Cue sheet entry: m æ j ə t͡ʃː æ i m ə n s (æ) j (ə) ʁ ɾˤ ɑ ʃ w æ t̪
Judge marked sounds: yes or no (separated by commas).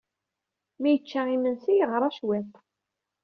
no, yes